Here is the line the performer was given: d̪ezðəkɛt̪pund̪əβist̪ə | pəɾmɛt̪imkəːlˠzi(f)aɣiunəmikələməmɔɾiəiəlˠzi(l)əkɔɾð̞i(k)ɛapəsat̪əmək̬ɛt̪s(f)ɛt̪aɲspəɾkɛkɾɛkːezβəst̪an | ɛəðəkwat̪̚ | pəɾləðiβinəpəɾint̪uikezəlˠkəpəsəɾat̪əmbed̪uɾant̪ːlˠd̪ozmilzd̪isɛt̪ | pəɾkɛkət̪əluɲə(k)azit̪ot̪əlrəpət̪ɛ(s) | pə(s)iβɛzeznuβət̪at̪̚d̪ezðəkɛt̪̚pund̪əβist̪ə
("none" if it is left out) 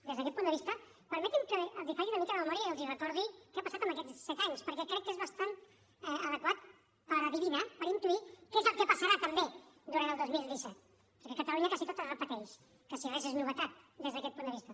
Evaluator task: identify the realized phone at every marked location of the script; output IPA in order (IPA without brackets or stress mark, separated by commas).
f, r, k, s, k, ʃ, s